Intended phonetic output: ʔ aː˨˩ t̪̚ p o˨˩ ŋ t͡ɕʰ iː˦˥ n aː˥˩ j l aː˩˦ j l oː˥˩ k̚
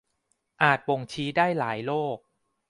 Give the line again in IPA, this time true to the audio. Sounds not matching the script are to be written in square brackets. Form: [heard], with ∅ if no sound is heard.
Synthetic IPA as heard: ʔ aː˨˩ t̪̚ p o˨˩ ŋ t͡ɕʰ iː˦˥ [d] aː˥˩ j l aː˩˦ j l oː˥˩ k̚